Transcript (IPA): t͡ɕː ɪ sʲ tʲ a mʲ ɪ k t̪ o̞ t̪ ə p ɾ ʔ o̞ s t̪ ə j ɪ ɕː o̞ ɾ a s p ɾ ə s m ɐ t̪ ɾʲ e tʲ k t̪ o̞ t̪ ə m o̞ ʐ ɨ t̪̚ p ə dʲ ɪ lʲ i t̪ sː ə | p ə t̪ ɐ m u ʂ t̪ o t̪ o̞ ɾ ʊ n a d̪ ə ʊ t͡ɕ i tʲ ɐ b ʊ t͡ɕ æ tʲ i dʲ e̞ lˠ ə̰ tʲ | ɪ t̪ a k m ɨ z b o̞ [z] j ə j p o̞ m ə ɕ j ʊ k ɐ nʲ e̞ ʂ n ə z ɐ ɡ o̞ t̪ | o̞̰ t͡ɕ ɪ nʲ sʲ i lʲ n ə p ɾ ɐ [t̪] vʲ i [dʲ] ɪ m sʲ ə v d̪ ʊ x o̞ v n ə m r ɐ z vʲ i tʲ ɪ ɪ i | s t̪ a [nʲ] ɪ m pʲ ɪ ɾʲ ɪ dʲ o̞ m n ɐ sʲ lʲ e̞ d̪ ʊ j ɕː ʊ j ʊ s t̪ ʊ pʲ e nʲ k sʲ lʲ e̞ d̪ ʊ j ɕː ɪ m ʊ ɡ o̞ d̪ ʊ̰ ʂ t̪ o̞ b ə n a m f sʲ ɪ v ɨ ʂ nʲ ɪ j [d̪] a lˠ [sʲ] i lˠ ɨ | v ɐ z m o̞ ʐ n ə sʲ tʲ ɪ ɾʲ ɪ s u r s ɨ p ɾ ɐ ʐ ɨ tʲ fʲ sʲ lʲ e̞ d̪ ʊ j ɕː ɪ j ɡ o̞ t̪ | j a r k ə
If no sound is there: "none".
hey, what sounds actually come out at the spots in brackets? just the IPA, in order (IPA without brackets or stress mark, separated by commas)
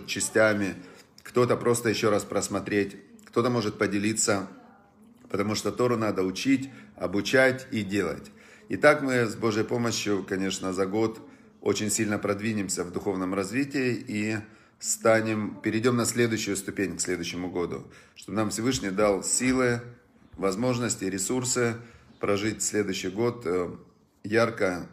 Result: ʐ, d̪, nʲ, nʲ, d̪, sʲ